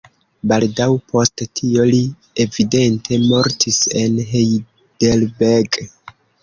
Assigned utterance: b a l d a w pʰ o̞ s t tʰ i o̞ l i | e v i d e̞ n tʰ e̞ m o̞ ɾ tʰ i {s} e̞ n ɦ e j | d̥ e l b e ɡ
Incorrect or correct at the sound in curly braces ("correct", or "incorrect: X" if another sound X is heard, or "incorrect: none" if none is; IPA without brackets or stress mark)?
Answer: correct